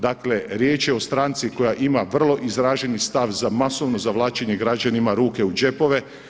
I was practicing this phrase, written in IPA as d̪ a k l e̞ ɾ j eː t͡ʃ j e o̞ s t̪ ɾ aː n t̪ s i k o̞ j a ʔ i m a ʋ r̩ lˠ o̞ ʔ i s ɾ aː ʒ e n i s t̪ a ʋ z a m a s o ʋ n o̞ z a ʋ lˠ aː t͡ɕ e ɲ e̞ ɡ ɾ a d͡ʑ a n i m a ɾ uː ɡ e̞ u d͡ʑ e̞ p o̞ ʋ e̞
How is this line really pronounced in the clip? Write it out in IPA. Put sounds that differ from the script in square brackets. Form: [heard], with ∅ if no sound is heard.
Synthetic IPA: d̪ a k l e̞ ɾ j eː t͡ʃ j e o̞ s t̪ ɾ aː n t̪ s i k o̞ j a ʔ i m a ʋ r̩ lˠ o̞ ʔ i [z] ɾ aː ʒ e n i s t̪ a ʋ z a m a s o ʋ n o̞ z a ʋ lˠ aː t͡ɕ e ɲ e̞ ɡ ɾ a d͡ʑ a n i m a ɾ uː [k] e̞ u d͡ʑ e̞ p o̞ ʋ e̞